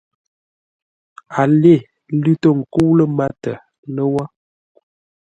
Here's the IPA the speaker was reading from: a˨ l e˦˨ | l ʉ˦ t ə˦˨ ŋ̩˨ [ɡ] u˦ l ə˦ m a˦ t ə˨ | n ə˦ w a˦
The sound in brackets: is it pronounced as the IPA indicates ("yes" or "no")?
no